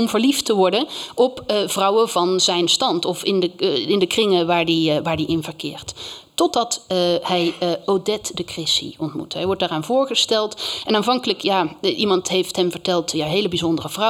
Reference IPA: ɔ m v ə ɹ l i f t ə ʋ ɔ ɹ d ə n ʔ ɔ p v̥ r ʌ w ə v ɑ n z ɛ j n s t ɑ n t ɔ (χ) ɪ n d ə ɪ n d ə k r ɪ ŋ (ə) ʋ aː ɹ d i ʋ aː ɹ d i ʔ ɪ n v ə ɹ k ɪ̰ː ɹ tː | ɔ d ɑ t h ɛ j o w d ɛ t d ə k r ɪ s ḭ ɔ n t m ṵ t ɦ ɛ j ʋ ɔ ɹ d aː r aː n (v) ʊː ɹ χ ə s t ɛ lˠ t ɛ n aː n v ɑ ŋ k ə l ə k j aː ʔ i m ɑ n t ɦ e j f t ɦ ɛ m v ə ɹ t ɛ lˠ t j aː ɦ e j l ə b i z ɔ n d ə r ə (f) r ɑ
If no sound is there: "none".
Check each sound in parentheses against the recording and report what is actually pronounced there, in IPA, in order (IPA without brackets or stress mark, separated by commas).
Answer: f, ə, v, v